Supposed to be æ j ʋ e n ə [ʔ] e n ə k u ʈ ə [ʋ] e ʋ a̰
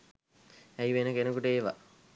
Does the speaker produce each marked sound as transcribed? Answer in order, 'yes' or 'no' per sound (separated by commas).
no, no